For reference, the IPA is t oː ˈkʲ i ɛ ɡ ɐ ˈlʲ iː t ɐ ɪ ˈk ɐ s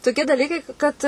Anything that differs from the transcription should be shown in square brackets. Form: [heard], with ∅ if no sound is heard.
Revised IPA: t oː ˈkʲ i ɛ [d] ɐ ˈlʲ iː [k] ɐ ɪ ˈk ɐ [t]